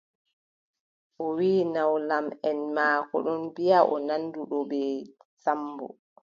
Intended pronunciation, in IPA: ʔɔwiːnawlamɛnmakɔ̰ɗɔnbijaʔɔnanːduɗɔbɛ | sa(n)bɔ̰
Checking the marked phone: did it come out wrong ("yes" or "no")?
yes